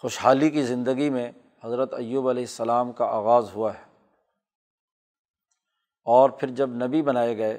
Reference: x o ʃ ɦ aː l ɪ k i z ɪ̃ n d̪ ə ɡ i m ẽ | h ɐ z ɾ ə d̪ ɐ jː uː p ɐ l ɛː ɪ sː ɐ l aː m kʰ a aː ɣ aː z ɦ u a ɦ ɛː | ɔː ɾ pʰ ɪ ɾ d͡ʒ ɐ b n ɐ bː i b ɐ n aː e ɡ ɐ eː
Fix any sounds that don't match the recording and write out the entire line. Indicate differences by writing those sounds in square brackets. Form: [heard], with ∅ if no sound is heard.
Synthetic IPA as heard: x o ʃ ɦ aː l [i] k i z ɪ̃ n d̪ ə ɡ i m ẽ | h ɐ z ɾ ə [t̪] ɐ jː uː [b] ɐ l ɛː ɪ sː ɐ l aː m [k] a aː ɣ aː z ɦ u a ɦ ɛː | ɔː ɾ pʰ ɪ ɾ d͡ʒ ɐ b n ɐ [b] i b ɐ n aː e ɡ ɐ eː